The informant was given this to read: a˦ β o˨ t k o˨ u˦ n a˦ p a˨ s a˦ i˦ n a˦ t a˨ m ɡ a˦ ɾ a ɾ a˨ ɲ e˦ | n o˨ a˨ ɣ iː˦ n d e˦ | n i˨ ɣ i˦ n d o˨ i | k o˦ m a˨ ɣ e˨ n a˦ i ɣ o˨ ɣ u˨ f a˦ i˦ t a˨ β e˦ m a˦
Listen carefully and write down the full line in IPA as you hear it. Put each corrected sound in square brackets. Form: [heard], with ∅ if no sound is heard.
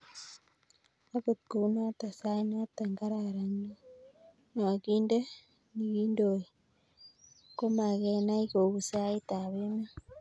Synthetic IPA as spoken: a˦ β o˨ t k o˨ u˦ n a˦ [t] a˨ s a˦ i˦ n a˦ t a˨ [ŋ] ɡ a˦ ɾ a ɾ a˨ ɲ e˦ | n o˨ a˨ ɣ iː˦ n d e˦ | n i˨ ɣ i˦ n d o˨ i | k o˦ m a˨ ɣ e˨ n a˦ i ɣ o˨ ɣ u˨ [s] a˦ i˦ t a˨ β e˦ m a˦